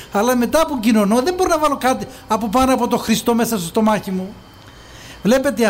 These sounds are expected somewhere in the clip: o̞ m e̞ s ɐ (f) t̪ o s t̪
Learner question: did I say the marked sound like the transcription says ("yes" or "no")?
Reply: no